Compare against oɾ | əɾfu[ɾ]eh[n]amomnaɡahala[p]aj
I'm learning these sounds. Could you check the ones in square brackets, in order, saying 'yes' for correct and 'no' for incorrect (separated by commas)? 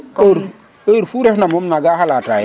yes, yes, no